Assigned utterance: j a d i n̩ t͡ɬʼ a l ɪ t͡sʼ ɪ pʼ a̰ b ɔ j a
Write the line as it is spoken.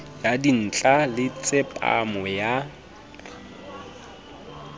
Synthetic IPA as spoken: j a d i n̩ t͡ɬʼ a l ɪ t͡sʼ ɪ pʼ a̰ m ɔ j a

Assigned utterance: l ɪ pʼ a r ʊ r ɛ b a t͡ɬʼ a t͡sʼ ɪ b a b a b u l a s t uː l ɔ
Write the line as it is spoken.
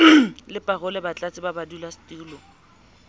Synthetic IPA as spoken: l ɪ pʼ a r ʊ l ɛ b a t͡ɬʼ a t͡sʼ ɪ b a b a d u l a s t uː l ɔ

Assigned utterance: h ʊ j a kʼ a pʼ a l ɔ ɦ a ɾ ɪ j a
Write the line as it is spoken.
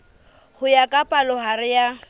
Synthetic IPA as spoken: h ʊ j a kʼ a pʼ a l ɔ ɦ a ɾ ɪ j a

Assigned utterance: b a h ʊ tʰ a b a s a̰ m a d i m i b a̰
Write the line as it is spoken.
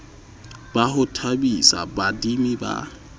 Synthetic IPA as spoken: b a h ʊ tʰ a b i s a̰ b a d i m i b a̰

